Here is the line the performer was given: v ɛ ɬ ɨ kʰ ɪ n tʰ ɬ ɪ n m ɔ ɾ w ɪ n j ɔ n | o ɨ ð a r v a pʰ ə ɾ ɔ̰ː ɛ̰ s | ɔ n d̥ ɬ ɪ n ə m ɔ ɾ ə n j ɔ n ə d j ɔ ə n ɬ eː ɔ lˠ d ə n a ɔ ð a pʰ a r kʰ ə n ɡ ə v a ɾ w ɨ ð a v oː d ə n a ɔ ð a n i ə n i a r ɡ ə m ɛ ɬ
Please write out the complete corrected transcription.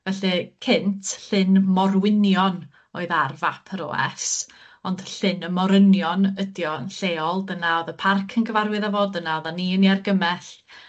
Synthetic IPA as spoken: v ɛ ɬ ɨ kʰ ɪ n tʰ ɬ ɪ n m ɔ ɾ w ɪ n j ɔ n | o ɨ ð a r v a pʰ ə ɾ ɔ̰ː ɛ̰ s | ɔ n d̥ ɬ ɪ n ə m ɔ ɾ ə n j ɔ n ə d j ɔ ə n ɬ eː ɔ lˠ d ə n a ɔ ð ə pʰ a r kʰ ə n ɡ ə v a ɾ w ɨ ð a v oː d ə n a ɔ ð a n i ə n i a r ɡ ə m ɛ ɬ